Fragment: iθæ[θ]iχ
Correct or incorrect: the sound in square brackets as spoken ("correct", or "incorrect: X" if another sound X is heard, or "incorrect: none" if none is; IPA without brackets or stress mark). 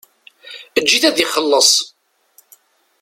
incorrect: ð